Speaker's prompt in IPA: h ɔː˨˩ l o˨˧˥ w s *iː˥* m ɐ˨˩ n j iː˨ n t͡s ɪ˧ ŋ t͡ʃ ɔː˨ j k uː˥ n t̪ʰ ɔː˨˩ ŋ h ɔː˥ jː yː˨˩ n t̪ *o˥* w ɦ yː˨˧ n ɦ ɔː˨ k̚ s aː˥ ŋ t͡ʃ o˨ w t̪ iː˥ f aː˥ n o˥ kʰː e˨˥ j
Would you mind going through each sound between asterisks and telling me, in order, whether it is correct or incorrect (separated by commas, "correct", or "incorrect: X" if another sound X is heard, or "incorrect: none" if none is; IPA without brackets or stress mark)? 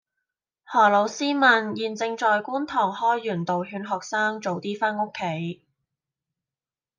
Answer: correct, incorrect: o˨